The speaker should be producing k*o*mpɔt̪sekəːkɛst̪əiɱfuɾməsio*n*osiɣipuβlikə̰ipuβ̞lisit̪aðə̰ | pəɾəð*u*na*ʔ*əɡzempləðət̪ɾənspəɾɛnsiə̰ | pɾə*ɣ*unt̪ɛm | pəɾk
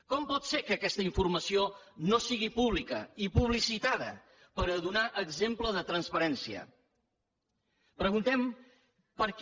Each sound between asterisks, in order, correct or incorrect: incorrect, correct, correct, correct, correct

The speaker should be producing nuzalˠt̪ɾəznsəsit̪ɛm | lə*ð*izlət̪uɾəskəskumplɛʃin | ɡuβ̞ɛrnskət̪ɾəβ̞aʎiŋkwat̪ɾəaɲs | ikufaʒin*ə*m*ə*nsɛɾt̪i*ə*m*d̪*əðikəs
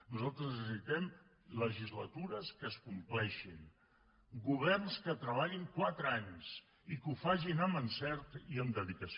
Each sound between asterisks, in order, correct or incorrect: incorrect, correct, correct, correct, correct

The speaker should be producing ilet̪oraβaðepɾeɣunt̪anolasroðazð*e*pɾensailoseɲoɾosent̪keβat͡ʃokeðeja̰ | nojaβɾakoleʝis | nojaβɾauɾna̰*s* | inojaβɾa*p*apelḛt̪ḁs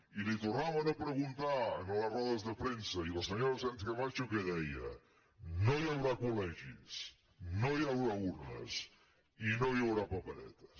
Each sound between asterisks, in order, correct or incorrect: correct, correct, correct

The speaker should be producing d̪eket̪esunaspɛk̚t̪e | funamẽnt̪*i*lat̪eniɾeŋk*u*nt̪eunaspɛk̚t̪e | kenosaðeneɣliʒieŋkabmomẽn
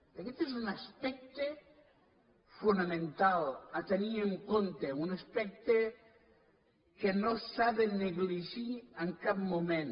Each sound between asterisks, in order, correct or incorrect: incorrect, incorrect

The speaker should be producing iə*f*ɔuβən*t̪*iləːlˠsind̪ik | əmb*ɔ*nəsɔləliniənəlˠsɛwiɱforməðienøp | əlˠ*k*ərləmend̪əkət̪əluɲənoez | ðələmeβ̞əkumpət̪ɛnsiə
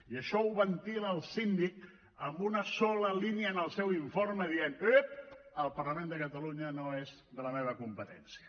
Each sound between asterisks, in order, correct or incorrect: incorrect, correct, incorrect, incorrect

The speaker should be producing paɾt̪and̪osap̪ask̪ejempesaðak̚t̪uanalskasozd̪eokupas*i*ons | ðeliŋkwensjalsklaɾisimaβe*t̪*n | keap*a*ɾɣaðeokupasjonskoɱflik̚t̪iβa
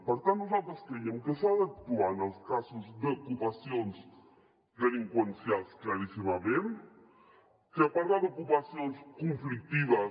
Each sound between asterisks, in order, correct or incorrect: incorrect, incorrect, correct

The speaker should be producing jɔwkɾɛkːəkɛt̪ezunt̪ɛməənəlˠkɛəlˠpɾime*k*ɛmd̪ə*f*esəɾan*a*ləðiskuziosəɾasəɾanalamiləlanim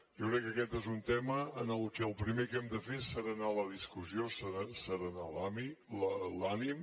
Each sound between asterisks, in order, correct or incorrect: correct, correct, correct

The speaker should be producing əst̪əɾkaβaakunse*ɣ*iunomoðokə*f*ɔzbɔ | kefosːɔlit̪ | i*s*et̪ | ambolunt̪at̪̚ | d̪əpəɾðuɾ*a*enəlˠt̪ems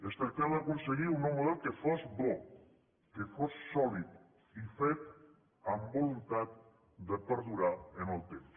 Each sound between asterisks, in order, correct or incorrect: correct, correct, incorrect, correct

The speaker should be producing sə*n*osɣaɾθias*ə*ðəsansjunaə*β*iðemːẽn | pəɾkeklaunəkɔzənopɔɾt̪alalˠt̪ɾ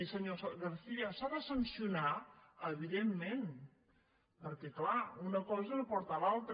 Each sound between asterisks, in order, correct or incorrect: incorrect, incorrect, correct

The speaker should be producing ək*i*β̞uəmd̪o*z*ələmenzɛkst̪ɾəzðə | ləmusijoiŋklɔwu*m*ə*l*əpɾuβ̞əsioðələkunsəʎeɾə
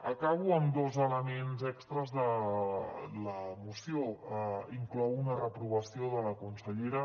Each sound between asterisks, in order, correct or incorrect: incorrect, correct, incorrect, incorrect

